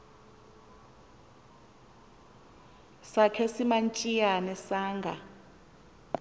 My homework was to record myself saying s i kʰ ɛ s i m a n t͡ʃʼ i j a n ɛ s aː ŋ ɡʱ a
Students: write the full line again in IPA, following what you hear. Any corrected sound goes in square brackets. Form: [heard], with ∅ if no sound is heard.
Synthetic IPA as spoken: s [a] kʰ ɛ s i m a n t͡ʃʼ i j a n ɛ s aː ŋ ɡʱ a